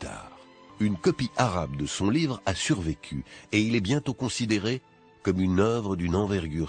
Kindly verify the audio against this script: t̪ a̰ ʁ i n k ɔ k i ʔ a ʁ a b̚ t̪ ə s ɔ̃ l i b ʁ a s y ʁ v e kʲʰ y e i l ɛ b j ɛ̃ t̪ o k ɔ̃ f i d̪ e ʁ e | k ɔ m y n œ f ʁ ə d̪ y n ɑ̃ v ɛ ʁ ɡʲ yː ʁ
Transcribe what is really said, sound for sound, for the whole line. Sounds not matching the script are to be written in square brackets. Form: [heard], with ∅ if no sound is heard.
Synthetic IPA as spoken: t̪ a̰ ʁ [y] n k ɔ [p] i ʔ a ʁ a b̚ [d̪] ə s ɔ̃ l i [v] ʁ a s y ʁ v e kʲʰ y e i l ɛ b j ɛ̃ t̪ o k ɔ̃ [s] i d̪ e ʁ e | k ɔ m y n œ [v] ʁ ə d̪ y n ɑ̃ v ɛ ʁ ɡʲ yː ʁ